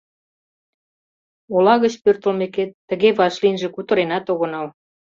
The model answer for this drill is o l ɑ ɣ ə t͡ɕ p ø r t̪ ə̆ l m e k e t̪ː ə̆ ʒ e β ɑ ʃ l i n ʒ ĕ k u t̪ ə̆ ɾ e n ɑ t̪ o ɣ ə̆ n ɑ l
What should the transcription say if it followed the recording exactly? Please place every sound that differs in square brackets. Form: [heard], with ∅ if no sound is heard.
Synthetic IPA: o l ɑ ɣ ə t͡ɕ p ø r t̪ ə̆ l m e k e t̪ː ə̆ [ɣ] e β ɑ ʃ l i n ʒ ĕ k u t̪ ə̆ ɾ e n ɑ t̪ o ɣ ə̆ n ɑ l